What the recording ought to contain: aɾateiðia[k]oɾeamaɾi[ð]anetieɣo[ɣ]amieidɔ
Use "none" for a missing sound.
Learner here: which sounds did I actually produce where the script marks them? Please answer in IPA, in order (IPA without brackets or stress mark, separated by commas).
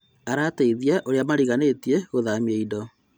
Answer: ʔ, ɣ, ð